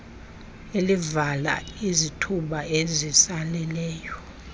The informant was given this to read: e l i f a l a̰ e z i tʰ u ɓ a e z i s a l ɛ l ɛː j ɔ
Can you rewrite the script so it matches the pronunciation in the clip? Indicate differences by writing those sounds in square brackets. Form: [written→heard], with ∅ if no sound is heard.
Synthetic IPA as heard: e l i [f→v] a l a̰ [e→i] z i tʰ u ɓ a e z i s a l ɛ l ɛː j ɔ